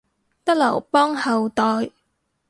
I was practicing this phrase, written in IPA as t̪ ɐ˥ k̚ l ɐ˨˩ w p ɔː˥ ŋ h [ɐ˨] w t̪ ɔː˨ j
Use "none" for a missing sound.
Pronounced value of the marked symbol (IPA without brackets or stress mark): ɐ˨